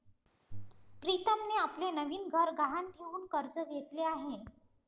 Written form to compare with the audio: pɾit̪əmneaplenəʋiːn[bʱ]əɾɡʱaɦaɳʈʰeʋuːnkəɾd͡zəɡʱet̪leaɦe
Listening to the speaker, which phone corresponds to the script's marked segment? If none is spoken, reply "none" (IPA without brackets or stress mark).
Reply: ɡʱ